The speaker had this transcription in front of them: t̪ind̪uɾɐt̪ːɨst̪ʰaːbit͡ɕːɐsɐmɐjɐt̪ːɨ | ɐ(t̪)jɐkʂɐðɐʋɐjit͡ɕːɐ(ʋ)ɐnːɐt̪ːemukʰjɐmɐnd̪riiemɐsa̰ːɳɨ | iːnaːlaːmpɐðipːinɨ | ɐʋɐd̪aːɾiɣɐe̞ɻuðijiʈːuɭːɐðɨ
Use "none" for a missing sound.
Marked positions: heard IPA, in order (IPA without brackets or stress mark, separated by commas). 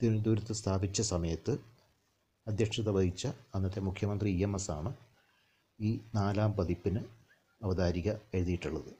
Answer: d̪, none